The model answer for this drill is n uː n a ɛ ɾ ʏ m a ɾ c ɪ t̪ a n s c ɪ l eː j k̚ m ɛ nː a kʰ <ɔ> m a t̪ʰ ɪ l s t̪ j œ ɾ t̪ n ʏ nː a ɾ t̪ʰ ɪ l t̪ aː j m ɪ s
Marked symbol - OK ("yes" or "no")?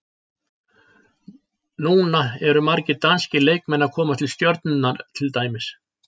no